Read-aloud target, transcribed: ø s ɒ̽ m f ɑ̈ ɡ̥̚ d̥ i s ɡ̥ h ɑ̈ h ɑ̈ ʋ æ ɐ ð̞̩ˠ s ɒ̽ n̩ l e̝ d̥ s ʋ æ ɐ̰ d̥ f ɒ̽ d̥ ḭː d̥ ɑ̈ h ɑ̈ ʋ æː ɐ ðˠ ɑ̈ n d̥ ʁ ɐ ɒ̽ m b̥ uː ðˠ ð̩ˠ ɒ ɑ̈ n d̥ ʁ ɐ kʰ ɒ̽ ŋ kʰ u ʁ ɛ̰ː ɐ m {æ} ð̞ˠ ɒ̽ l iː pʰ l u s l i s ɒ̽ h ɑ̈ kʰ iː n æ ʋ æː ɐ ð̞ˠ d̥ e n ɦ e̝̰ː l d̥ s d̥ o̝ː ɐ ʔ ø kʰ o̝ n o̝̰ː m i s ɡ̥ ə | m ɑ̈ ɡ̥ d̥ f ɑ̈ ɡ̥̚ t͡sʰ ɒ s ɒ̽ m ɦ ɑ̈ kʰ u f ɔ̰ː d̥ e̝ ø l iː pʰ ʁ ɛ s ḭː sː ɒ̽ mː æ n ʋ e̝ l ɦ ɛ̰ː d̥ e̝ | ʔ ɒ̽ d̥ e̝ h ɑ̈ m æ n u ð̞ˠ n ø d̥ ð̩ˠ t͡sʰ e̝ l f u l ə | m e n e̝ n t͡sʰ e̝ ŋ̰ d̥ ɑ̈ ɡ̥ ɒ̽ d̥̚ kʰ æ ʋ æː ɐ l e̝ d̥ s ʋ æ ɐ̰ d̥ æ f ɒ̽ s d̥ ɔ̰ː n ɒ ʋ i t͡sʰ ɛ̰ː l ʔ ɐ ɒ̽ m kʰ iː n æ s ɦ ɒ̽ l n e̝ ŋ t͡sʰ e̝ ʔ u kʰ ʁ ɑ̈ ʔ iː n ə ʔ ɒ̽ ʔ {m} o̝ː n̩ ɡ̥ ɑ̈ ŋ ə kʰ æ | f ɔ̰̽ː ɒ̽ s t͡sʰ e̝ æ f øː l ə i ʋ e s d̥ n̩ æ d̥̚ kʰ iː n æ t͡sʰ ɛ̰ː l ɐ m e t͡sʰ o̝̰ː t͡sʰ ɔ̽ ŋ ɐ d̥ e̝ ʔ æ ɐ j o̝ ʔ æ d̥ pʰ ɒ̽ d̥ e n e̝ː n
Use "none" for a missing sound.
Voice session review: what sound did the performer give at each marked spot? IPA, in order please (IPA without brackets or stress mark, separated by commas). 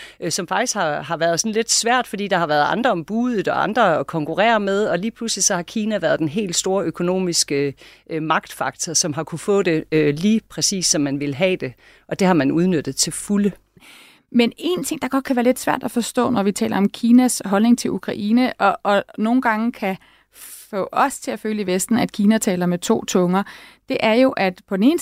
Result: e, n